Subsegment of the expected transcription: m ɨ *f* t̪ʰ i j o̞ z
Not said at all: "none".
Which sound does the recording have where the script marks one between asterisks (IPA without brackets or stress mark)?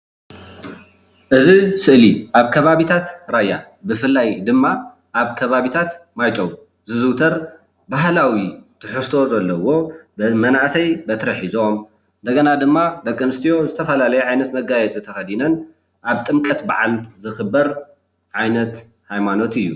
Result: s